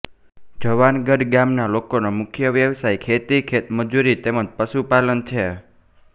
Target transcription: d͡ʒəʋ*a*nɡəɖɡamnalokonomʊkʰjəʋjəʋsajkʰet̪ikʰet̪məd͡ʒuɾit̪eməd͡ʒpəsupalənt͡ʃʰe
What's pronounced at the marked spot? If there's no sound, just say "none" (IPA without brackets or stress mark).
a